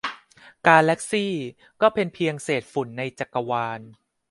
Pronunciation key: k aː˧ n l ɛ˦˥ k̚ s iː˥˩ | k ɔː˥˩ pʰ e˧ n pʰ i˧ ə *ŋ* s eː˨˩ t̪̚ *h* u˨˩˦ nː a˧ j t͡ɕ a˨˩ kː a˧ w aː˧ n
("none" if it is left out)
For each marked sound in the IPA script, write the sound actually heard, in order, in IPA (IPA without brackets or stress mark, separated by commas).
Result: ŋ, f